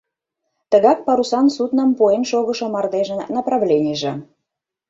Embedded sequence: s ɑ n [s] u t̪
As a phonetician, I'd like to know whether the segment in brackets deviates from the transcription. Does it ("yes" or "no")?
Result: no